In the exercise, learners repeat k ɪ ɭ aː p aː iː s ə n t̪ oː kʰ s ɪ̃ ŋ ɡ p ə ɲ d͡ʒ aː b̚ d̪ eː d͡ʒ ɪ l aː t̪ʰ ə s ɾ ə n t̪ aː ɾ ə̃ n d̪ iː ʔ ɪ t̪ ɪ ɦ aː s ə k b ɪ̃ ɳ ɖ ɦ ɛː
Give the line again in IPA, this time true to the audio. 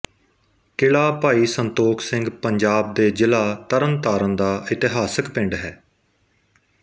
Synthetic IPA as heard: k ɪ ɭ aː p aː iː s ə n t̪ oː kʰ s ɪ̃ ŋ ɡ p ə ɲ d͡ʒ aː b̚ d̪ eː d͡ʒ ɪ l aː t̪ ə ɾ ə n t̪ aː ɾ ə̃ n d̪ aː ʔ ɪ t̪ ɪ ɦ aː s ə k p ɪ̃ ɳ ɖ ɦ ɛː